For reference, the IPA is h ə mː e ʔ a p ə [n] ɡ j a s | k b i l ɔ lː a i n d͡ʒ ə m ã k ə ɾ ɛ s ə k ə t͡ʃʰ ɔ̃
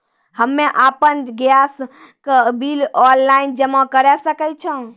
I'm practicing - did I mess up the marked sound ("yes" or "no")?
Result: no